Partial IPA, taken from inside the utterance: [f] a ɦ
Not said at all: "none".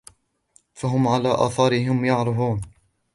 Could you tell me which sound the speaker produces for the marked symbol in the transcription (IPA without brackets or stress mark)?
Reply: f